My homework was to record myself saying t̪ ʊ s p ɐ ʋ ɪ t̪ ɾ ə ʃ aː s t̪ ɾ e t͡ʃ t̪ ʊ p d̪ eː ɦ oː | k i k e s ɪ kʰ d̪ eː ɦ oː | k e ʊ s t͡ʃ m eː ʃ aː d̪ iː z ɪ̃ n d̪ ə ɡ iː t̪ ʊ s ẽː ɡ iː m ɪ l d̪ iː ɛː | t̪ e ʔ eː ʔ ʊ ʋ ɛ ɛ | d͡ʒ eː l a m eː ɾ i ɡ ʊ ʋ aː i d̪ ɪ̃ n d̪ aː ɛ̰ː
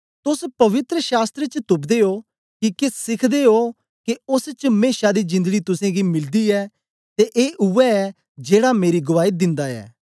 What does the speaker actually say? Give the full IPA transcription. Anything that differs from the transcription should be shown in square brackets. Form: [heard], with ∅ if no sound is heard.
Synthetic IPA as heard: t̪ ʊ s p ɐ ʋ ɪ t̪ ɾ ə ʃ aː s t̪ ɾ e t͡ʃ t̪ ʊ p d̪ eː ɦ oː | k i k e s ɪ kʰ d̪ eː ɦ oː | k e ʊ s t͡ʃ m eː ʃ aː d̪ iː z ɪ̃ n d̪ ə ɡ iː t̪ ʊ s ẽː ɡ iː m ɪ l d̪ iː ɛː | t̪ e ʔ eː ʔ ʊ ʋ ɛ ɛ | d͡ʒ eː [ɽ] a m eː ɾ i ɡ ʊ ʋ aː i d̪ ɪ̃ n d̪ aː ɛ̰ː

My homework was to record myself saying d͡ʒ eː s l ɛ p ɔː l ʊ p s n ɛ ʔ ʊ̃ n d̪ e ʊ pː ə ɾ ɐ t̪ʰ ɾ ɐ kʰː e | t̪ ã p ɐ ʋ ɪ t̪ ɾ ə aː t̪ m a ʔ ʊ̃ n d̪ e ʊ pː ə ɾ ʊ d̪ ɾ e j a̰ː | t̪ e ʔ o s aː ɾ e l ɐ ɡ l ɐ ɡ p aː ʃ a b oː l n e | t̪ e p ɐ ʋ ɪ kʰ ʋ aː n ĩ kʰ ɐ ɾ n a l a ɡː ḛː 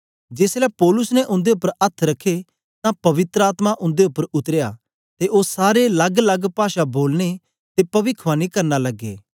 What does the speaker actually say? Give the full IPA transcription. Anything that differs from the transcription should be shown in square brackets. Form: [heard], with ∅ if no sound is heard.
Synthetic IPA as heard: d͡ʒ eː s l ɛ p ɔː l ʊ [∅] s n ɛ ʔ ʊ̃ n d̪ e ʊ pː ə ɾ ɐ t̪ʰ ɾ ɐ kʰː e | t̪ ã p ɐ ʋ ɪ t̪ ɾ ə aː t̪ m a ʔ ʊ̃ n d̪ e ʊ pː ə ɾ ʊ [t̪] ɾ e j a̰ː | t̪ e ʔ o s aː ɾ e l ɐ ɡ l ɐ ɡ p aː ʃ a b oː l n e | t̪ e p ɐ ʋ ɪ kʰ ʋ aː n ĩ [k] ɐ ɾ n a l [ɐ] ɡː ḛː

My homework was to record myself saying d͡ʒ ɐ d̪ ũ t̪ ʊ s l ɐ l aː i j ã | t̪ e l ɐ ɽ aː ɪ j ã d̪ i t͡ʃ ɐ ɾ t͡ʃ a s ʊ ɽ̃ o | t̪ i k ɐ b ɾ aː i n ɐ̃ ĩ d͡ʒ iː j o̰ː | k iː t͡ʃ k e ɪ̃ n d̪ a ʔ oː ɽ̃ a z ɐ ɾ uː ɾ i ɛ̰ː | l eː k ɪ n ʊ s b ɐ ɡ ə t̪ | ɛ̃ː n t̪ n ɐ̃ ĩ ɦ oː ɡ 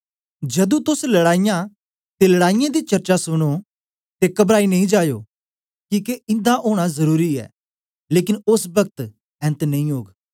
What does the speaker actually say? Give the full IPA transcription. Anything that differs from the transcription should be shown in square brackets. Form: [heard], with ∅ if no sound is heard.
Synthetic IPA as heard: d͡ʒ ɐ d̪ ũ t̪ ʊ s l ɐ [ɽ] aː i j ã | t̪ e l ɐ ɽ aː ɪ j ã d̪ i t͡ʃ ɐ ɾ t͡ʃ a s ʊ ɽ̃ o | t̪ [e] k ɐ b ɾ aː i n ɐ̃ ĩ d͡ʒ [aː] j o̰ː | k iː [∅] k e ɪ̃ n d̪ a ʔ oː ɽ̃ a z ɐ ɾ uː ɾ i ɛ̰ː | l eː k ɪ n ʊ s b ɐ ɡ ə t̪ | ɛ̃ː n t̪ n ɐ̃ ĩ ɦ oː ɡ

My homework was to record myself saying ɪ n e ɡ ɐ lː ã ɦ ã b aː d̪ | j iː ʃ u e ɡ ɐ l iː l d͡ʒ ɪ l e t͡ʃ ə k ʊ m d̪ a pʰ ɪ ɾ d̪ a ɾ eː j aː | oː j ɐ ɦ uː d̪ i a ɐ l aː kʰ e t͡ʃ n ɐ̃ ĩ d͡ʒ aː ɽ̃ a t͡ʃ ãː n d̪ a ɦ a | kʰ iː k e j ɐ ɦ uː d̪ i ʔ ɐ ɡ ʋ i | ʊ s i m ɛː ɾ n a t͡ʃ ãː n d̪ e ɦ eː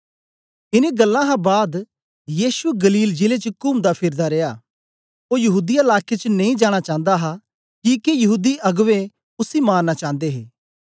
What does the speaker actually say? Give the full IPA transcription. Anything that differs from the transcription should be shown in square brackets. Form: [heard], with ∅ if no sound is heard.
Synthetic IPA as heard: ɪ n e ɡ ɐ lː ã ɦ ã b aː d̪ | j iː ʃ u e ɡ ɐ l iː l d͡ʒ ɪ l e t͡ʃ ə k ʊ m d̪ a pʰ ɪ ɾ d̪ a ɾ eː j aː | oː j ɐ ɦ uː d̪ i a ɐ l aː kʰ e t͡ʃ n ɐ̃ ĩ d͡ʒ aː ɽ̃ a t͡ʃ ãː n d̪ a ɦ a | [k] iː k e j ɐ ɦ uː d̪ i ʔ ɐ ɡ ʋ [e] | ʊ s i m [aː] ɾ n a t͡ʃ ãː n d̪ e ɦ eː

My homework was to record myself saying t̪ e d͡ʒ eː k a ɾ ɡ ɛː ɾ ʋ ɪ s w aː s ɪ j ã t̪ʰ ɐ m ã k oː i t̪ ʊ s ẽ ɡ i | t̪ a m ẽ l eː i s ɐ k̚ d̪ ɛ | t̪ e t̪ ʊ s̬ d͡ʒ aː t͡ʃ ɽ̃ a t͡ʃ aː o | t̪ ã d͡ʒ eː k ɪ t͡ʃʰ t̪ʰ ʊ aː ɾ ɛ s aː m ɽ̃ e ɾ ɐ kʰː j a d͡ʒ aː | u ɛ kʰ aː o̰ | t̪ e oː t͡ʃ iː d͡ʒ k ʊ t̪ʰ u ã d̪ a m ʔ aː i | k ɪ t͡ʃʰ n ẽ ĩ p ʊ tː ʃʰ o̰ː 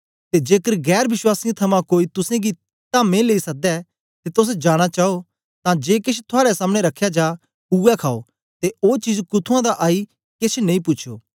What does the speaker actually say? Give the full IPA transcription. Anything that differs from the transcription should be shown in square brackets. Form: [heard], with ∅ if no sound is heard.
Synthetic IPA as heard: t̪ e d͡ʒ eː k [ə] ɾ ɡ ɛː ɾ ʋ ɪ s w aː s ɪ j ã t̪ʰ ɐ m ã k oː i t̪ ʊ s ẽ ɡ i | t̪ a m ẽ l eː i s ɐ k̚ d̪ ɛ | t̪ e t̪ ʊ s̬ d͡ʒ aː [∅] ɽ̃ a t͡ʃ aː o | t̪ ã d͡ʒ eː k ɪ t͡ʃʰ t̪ʰ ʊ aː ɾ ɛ s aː m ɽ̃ e ɾ ɐ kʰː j a d͡ʒ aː | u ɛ kʰ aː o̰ | t̪ e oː t͡ʃ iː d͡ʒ k ʊ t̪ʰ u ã d̪ a [∅] ʔ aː i | k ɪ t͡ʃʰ n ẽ ĩ p ʊ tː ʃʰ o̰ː

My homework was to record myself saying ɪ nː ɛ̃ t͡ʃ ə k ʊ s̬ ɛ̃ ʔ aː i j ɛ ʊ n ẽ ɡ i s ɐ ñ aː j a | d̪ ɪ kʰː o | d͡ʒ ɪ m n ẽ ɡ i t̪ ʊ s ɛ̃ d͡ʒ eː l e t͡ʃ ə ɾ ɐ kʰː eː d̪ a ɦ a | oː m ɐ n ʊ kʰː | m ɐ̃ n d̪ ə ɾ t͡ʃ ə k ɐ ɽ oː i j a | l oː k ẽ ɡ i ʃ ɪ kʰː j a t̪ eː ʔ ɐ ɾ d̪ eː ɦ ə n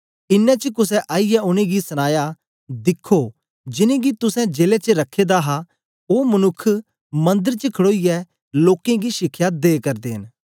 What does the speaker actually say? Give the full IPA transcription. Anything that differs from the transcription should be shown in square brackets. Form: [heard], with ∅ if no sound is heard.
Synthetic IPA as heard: ɪ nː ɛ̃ t͡ʃ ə k ʊ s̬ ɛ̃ ʔ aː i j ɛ ʊ n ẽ ɡ i s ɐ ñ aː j a | d̪ ɪ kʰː o | d͡ʒ ɪ [∅] n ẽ ɡ i t̪ ʊ s ɛ̃ d͡ʒ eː l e t͡ʃ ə ɾ ɐ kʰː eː d̪ a ɦ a | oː m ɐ n ʊ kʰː | m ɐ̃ n d̪ ə ɾ t͡ʃ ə [kʰ] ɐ ɽ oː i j [ɛ] | l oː k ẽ ɡ i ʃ ɪ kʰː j a [d̪] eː [k] ɐ ɾ d̪ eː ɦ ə n

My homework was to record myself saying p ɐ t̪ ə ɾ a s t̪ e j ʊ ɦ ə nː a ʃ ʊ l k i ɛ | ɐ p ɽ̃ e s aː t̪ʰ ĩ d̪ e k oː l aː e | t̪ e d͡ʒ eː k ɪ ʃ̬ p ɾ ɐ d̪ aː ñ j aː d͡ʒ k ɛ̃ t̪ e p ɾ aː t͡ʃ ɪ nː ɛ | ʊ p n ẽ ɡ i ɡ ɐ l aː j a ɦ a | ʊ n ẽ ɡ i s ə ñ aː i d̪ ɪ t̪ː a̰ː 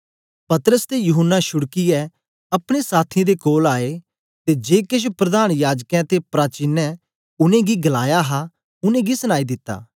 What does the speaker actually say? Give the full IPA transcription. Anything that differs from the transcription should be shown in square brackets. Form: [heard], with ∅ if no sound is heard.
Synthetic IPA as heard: p ɐ t̪ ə ɾ [ə] s t̪ e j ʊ ɦ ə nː a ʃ ʊ [ɽ] k i ɛ | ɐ p ɽ̃ e s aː t̪ʰ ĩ d̪ e k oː l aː e | t̪ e d͡ʒ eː k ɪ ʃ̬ p ɾ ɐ d̪ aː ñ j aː d͡ʒ k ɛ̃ t̪ e p ɾ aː t͡ʃ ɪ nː ɛ | ʊ [∅] n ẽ ɡ i ɡ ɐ l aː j a ɦ a | ʊ n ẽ ɡ i s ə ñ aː i d̪ ɪ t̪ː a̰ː

